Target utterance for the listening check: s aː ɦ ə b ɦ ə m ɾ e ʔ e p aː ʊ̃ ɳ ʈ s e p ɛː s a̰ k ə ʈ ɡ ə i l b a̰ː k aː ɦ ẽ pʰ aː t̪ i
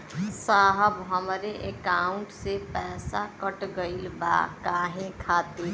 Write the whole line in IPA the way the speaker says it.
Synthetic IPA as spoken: s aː ɦ ə b ɦ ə m ɾ e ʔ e k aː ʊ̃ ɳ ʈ s e p ɛː s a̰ k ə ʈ ɡ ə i l b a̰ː k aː ɦ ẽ kʰ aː t̪ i